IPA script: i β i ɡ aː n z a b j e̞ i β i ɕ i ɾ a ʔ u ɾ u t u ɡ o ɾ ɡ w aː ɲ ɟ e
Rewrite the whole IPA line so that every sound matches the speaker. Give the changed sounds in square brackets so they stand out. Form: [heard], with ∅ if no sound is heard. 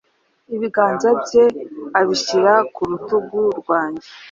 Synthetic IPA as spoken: i β i ɡ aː n z a b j e̞ [a] β i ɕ i ɾ a [k] u ɾ u t u ɡ [u] ɾ ɡ w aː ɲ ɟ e